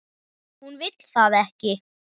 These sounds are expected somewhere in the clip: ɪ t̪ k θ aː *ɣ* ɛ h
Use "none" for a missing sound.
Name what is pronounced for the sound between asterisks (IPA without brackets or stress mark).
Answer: ð